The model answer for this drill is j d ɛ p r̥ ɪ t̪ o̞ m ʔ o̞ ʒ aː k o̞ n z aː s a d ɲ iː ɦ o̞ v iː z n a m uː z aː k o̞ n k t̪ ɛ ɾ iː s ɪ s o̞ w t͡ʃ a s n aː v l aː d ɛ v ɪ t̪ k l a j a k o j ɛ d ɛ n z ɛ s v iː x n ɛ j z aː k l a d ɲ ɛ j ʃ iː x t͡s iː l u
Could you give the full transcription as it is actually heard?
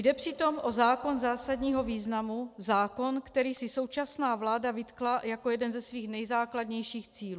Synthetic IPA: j d ɛ p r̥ ɪ t̪ o̞ m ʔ o̞ z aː k o̞ n z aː s a d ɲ iː ɦ o̞ v iː z n a m u z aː k o̞ n k t̪ ɛ ɾ iː s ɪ s o̞ w t͡ʃ a s n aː v l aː d a v ɪ t̪ k l a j a k o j ɛ d ɛ n z ɛ s v iː x n ɛ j z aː k l a d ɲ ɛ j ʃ iː x t͡s iː l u